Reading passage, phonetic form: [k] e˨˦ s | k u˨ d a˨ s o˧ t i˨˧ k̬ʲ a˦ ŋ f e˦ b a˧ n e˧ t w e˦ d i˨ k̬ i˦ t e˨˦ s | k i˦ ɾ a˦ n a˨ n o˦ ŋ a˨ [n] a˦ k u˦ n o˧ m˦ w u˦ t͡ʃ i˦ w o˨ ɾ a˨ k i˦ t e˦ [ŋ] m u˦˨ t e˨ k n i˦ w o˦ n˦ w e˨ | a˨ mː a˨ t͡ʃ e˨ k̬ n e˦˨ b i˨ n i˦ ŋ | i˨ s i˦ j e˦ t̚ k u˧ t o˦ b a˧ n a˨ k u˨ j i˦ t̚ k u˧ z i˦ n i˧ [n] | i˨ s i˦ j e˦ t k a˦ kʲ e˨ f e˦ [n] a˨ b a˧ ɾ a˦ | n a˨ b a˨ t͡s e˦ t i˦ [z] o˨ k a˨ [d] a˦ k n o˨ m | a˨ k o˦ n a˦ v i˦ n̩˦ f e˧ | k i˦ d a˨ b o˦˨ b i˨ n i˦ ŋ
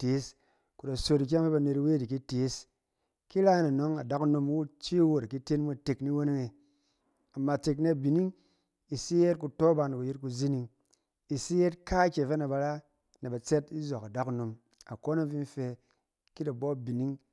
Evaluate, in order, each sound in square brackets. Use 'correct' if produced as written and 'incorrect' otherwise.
incorrect, incorrect, incorrect, incorrect, correct, correct, correct

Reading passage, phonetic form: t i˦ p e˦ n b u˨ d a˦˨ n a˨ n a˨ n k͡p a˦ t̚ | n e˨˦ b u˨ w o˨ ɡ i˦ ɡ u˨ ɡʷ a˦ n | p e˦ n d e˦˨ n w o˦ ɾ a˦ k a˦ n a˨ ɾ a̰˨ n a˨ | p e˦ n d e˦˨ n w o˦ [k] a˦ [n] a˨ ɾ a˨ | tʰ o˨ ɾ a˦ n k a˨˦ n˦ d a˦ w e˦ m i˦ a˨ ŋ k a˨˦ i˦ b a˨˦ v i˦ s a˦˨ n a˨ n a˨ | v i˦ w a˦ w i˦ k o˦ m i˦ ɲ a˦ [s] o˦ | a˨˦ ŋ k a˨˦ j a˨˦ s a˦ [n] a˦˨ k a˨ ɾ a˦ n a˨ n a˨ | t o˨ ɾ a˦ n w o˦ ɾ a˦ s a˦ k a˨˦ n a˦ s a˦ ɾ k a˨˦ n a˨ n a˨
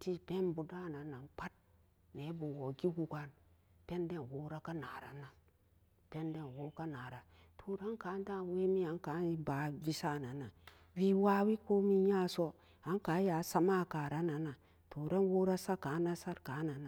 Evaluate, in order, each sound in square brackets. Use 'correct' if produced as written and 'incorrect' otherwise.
correct, correct, correct, incorrect

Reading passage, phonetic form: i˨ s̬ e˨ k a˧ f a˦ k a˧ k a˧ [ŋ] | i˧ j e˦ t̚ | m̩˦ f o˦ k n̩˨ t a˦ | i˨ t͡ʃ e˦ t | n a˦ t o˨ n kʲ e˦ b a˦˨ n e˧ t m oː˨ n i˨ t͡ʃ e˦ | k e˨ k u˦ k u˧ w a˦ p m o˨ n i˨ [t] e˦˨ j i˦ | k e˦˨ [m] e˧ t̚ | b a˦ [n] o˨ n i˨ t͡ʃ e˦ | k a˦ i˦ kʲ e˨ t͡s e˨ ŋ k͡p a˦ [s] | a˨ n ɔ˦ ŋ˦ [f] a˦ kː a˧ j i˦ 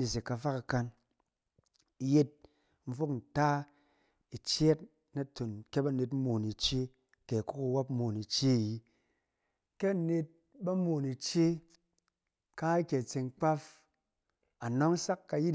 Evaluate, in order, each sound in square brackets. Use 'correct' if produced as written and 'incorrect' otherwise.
incorrect, incorrect, incorrect, incorrect, incorrect, incorrect

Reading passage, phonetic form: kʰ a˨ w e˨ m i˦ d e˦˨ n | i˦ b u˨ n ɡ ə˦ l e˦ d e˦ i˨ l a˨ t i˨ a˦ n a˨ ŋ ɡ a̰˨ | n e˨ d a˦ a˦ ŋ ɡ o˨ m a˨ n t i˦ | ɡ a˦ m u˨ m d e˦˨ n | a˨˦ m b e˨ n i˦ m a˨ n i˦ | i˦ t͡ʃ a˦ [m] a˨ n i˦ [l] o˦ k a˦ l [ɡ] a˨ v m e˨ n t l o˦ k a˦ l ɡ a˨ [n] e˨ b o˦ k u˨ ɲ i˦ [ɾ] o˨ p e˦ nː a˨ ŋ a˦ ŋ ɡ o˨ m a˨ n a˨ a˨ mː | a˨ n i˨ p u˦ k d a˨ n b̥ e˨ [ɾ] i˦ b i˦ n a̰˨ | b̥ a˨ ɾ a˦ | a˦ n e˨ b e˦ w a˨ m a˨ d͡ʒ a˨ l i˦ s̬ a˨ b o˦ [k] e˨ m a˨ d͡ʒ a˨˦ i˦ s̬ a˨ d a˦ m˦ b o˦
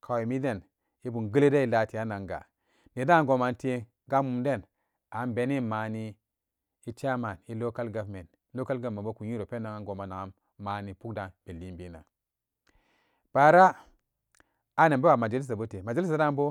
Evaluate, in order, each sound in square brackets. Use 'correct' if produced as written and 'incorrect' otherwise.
correct, correct, correct, incorrect, correct, incorrect, incorrect

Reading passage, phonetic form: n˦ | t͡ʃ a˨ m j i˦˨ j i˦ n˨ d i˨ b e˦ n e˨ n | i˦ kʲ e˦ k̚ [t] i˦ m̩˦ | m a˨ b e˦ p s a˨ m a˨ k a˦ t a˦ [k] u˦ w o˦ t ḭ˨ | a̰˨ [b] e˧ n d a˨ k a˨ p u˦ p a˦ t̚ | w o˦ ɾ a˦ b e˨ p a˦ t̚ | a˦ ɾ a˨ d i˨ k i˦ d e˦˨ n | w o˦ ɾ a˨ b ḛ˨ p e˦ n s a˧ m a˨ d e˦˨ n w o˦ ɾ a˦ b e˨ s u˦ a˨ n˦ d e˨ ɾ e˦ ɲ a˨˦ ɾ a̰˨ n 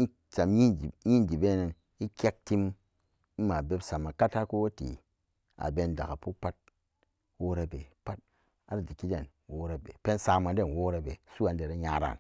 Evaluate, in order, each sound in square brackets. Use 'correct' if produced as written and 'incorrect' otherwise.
correct, correct, correct

